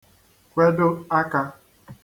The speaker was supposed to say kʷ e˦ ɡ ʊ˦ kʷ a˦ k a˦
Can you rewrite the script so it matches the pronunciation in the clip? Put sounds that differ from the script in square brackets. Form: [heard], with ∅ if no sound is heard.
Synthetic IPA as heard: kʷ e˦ [d] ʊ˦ [∅] a˦ k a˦